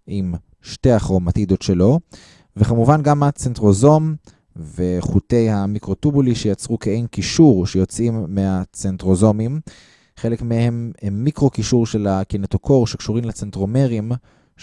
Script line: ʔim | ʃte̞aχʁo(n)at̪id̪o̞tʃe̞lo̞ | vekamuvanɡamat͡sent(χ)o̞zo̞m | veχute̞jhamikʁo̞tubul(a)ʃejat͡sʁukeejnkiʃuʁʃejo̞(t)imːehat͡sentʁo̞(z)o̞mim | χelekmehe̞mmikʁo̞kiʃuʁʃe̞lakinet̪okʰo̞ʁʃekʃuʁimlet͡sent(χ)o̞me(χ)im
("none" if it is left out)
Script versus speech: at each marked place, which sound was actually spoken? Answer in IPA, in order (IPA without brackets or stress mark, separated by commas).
m, ʁ, i, t͡s, z, ʁ, ʁ